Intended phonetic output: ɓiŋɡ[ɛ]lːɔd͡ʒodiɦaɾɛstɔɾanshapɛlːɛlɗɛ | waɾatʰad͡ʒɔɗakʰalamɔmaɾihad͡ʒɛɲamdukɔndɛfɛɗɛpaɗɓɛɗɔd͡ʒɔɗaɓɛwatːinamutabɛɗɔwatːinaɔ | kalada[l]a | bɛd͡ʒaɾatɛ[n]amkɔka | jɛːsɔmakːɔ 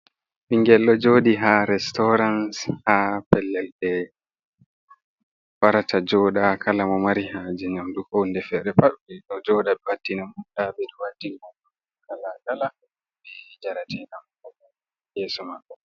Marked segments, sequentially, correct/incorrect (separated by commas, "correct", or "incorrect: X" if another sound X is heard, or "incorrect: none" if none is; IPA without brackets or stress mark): correct, correct, correct